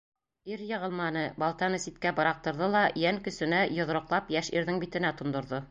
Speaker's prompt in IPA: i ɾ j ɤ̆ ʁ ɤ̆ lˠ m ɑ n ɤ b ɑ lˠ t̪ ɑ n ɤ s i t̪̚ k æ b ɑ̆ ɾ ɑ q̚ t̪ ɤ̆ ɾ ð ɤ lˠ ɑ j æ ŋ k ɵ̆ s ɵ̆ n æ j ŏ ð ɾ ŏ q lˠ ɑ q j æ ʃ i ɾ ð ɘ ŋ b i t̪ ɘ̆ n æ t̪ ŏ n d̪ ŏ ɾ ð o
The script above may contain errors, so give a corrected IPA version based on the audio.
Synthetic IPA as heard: i ɾ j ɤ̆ ʁ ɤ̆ lˠ m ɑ n ɤ b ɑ lˠ t̪ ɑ n ɤ s i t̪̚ k æ b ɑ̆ ɾ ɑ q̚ t̪ ɤ̆ ɾ ð ɤ lˠ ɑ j æ ŋ k ɵ̆ s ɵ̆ n æ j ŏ ð ɾ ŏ q lˠ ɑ p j æ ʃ i ɾ ð ɘ ŋ b i t̪ ɘ̆ n æ t̪ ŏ n d̪ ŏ ɾ ð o